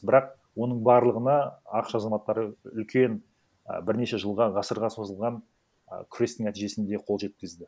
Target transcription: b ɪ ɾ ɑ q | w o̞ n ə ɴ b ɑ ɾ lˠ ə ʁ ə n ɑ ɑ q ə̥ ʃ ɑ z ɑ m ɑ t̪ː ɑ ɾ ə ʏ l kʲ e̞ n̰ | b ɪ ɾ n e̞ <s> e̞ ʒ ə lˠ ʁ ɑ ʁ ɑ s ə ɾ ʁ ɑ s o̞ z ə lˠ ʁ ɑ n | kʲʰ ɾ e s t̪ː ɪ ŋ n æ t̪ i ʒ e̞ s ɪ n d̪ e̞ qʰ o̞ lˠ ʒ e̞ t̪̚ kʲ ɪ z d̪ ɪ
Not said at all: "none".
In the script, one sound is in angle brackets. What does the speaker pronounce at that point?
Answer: ʃ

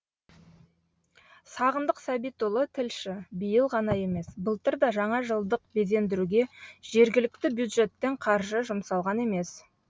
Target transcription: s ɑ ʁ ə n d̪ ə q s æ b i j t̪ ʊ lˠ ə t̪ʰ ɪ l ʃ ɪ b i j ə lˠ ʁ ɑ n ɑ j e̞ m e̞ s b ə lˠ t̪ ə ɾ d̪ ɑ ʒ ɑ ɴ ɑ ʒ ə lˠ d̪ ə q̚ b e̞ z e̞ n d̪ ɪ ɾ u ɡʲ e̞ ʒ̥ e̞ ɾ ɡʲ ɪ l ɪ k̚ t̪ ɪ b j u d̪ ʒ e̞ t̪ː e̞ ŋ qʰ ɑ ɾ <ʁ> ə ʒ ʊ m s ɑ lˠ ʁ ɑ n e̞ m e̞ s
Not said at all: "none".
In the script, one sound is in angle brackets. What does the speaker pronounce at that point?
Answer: ʒ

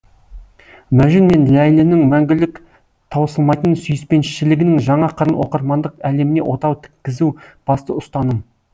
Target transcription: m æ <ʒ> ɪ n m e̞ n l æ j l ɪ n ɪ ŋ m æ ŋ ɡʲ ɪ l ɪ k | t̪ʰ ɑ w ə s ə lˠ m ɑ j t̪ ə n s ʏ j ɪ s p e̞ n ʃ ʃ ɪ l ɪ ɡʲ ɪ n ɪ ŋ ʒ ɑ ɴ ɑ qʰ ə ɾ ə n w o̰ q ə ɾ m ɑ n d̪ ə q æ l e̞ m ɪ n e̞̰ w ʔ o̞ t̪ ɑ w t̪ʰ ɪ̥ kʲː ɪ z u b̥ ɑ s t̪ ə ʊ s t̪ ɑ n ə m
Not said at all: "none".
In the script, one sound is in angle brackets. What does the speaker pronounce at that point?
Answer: ʒ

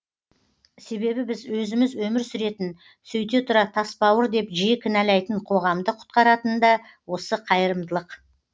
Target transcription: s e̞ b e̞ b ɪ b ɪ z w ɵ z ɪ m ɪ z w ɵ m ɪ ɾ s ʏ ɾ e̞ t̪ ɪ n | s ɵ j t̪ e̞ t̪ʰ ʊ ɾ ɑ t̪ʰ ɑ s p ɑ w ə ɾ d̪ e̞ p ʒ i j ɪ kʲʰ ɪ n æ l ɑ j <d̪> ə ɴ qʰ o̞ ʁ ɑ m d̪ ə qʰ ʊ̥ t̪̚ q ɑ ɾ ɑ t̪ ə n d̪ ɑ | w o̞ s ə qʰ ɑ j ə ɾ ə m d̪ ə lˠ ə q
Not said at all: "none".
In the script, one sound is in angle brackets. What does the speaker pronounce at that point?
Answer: t̪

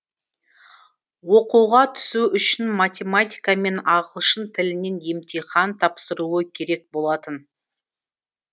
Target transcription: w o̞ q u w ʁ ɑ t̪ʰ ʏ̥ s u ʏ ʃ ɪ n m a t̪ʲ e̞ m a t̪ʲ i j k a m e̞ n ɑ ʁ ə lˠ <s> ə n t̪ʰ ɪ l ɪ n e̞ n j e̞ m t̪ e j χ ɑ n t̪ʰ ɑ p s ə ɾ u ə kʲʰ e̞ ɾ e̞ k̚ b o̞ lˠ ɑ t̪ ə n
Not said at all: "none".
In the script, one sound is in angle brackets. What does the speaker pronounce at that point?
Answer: ʃ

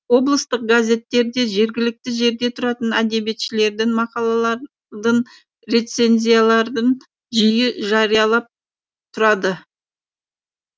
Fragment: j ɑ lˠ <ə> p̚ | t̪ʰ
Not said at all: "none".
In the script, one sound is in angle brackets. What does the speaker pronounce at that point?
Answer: ɑ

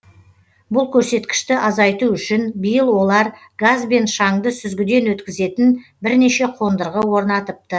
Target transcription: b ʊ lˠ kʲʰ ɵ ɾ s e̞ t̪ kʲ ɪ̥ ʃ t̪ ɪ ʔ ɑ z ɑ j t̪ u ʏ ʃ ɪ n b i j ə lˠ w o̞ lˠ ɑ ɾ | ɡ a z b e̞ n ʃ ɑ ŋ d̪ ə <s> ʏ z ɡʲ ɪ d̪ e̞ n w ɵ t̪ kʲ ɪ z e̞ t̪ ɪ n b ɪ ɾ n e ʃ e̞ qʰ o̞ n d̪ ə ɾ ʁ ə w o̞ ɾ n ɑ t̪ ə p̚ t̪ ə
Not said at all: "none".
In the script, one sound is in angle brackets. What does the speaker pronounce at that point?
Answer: s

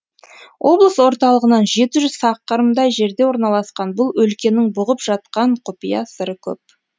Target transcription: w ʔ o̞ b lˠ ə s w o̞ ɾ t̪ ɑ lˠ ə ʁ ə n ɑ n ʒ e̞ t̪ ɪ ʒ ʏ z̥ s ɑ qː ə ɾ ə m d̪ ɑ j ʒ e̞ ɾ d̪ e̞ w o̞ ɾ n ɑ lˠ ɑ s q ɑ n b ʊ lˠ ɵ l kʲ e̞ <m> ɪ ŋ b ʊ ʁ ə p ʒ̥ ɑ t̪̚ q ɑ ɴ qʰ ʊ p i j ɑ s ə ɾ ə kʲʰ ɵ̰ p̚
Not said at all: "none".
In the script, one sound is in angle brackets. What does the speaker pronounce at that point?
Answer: n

